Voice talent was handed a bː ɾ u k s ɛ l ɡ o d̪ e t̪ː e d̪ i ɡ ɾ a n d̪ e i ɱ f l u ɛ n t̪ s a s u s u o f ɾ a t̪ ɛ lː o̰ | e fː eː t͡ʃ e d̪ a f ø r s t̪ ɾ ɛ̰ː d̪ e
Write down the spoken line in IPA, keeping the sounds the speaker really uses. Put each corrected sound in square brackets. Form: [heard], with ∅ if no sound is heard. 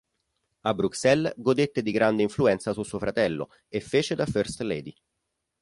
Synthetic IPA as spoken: a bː ɾ u k s ɛ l ɡ o d̪ e t̪ː e d̪ i ɡ ɾ a n d̪ e i ɱ f l u ɛ n t̪ s a s u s u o f ɾ a t̪ ɛ lː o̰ | e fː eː t͡ʃ e d̪ a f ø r s t̪ [l] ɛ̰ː d̪ [i]